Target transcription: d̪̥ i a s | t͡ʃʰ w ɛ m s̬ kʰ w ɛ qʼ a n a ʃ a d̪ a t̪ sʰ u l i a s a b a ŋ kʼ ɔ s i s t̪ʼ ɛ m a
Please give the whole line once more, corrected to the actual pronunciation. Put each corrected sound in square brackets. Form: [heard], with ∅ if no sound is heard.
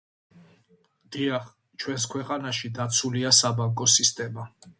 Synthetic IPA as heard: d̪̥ i a [χ] | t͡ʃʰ w ɛ [n] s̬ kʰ w ɛ qʼ a n a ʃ [i] d̪ a t̪ sʰ u l i a s a b a ŋ kʼ ɔ s i s t̪ʼ ɛ m a